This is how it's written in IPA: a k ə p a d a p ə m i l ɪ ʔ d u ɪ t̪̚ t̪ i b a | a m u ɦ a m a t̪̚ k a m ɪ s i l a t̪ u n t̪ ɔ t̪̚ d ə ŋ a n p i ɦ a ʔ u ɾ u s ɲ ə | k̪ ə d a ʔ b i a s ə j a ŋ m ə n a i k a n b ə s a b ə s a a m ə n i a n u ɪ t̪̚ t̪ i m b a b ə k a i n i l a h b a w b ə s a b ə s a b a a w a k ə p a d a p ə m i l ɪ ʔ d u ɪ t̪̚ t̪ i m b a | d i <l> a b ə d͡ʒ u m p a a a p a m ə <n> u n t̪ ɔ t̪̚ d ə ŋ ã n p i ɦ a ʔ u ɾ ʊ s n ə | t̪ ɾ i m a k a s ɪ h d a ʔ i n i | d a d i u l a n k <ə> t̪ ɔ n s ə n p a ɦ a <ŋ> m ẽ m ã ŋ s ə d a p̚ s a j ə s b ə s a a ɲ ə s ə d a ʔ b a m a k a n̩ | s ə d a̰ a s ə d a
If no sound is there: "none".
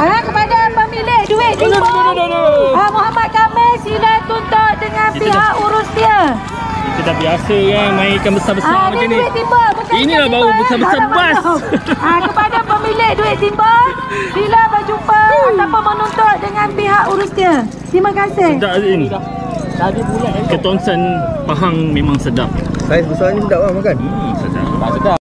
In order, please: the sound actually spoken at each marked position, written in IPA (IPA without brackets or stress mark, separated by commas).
l, n, ə, ŋ